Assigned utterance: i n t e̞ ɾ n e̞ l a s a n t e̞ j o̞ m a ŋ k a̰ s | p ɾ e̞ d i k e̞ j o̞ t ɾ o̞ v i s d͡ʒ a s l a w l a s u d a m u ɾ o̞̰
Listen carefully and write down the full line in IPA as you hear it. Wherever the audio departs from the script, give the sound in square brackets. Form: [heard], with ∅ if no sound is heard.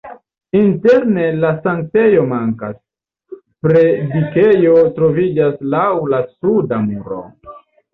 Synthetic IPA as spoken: i n t e̞ ɾ n e̞ l a s a [ŋ] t e̞ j o̞ m a ŋ k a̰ s | p ɾ e̞ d i k e̞ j o̞ t ɾ o̞ v i [∅] d͡ʒ a s l a w l a s u d a m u ɾ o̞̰